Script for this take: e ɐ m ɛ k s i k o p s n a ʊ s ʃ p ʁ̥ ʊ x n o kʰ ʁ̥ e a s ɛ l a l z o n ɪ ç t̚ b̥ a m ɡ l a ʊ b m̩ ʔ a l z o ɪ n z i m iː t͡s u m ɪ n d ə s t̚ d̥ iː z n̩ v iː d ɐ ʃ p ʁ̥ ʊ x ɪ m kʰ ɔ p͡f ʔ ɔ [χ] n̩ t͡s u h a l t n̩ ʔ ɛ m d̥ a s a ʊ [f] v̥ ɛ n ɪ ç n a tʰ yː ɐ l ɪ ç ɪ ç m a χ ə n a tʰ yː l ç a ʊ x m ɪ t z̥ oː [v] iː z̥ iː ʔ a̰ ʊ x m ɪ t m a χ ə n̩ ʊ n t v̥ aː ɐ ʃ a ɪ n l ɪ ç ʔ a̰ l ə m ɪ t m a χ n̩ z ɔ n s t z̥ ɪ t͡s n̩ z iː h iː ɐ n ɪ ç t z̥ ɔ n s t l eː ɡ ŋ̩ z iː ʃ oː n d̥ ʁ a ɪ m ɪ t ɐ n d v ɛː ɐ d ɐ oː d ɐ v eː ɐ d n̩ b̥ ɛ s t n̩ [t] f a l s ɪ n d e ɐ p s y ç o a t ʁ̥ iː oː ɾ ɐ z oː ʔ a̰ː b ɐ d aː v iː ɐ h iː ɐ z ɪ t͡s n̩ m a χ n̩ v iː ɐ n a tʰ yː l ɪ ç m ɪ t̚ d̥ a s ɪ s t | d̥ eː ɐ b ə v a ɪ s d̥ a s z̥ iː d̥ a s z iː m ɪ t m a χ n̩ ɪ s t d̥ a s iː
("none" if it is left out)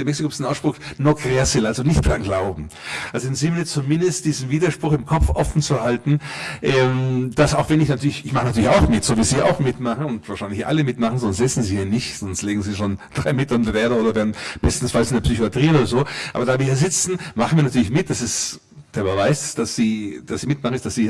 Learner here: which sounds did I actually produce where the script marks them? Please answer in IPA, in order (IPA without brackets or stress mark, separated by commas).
f, x, v, s